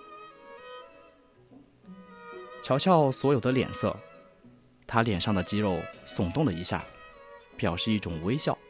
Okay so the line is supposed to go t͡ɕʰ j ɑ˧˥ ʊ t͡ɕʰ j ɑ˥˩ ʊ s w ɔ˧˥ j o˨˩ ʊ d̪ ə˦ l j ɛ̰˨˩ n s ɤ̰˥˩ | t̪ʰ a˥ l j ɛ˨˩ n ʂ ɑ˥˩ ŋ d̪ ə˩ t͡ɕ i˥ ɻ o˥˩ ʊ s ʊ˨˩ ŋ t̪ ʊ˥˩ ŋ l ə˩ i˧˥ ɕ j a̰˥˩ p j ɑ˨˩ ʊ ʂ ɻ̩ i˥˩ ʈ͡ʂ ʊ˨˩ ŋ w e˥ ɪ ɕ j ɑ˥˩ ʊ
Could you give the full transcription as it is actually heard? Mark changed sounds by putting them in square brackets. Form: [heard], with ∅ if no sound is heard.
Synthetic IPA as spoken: t͡ɕʰ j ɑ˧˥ ʊ t͡ɕʰ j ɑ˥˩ ʊ s w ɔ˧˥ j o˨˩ ʊ d̪ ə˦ l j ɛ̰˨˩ n s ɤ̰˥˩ | t̪ʰ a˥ l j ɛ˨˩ n ʂ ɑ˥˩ ŋ d̪ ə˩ t͡ɕ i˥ ɻ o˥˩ ʊ s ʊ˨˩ ŋ t̪ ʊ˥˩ ŋ l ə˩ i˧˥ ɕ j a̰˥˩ p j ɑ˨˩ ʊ ʂ ɻ̩ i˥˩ ʈ͡ʂ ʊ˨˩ ŋ w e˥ ɪ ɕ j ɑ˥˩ ʊ